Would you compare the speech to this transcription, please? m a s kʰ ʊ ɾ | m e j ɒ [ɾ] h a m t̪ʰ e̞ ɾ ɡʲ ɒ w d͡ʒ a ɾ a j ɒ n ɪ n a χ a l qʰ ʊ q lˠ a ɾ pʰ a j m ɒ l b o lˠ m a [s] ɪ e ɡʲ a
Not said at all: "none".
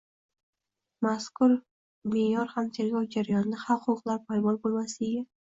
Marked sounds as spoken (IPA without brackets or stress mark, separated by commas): ɾ, s